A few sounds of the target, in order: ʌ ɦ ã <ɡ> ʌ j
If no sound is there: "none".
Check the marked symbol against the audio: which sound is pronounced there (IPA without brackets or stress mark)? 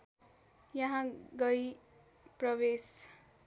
ɡ